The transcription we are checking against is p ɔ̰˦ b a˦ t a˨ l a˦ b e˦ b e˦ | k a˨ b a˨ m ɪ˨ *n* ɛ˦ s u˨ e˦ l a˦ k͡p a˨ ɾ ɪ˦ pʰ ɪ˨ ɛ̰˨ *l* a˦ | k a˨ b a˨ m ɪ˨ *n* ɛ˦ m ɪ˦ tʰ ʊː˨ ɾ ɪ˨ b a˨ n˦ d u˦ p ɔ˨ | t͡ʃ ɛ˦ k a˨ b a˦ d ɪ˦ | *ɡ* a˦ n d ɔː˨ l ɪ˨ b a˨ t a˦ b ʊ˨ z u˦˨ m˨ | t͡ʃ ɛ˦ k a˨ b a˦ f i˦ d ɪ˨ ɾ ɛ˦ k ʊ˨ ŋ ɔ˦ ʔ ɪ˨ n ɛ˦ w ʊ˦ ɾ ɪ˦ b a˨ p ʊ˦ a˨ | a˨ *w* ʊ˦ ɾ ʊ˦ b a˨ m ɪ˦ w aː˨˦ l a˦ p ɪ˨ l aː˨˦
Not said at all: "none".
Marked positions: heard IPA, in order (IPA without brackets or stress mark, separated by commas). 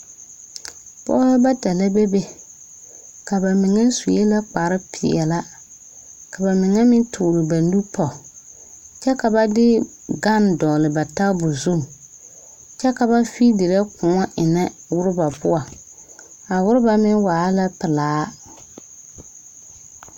ŋ, l, ŋ, ɡ, w